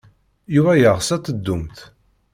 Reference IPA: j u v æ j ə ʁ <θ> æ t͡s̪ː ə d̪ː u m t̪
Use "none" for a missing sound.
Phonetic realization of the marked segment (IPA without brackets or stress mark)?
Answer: s